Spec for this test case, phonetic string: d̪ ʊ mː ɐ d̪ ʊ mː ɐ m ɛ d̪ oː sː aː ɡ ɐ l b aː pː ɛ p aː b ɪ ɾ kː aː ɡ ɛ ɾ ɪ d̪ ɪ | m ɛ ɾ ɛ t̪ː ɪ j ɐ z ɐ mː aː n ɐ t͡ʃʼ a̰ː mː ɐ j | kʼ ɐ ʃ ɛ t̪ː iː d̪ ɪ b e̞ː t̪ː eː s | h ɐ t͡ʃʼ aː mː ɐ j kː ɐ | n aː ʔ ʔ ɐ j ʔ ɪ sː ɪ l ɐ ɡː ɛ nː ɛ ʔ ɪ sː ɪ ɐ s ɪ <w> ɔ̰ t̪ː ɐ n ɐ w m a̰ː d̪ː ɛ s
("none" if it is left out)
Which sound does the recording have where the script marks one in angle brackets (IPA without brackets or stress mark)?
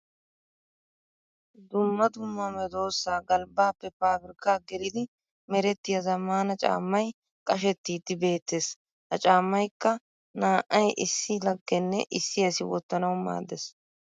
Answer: w